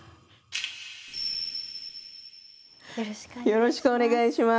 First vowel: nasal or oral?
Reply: oral